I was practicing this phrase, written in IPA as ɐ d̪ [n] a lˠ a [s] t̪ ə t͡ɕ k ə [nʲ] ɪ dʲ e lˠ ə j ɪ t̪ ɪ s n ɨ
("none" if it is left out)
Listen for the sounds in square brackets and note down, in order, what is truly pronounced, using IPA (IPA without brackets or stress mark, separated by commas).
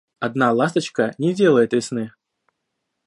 n, s, nʲ